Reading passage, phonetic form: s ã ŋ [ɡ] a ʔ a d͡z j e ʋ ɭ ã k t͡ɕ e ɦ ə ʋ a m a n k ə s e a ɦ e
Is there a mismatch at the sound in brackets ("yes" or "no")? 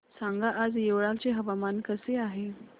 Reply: no